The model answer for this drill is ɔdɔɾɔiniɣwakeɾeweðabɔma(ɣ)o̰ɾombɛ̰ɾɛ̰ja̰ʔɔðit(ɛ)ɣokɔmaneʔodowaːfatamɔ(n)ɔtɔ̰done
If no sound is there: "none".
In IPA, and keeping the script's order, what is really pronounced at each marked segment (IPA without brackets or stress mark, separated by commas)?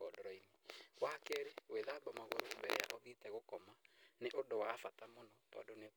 ɣ, ɛ, n